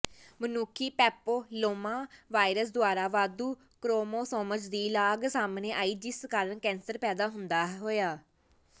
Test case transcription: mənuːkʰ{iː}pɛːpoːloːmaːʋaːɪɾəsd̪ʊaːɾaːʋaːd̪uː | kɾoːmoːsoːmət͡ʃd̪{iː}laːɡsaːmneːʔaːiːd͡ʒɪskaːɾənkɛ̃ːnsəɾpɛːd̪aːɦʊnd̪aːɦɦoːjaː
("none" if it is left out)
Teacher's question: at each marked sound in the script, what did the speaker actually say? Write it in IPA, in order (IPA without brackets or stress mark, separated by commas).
iː, iː